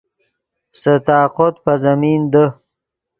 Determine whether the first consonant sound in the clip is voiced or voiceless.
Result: voiceless